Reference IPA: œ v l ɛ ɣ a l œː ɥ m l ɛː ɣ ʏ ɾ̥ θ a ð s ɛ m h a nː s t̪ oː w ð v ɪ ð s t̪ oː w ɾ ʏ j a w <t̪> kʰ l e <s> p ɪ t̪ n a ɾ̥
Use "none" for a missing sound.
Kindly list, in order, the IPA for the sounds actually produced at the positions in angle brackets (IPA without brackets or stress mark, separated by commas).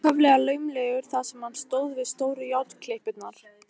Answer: t̪, h